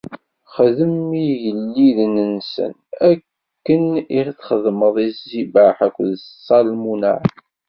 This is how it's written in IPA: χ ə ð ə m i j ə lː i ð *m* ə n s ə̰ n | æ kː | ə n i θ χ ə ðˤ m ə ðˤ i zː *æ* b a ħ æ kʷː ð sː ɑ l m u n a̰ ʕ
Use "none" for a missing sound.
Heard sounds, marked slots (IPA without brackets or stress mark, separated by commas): n, i